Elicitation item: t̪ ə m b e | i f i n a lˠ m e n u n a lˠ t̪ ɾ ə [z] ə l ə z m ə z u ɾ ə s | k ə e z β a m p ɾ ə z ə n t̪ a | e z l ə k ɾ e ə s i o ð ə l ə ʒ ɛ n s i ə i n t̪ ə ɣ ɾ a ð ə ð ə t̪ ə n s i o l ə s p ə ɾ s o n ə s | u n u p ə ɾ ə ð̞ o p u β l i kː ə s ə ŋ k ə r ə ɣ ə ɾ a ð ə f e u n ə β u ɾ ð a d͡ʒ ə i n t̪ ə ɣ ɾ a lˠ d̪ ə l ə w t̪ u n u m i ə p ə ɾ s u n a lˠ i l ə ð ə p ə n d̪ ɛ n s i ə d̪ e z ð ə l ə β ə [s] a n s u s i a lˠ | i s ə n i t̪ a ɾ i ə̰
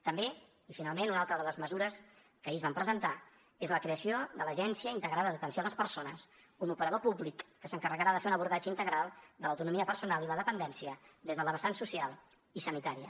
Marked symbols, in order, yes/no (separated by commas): no, yes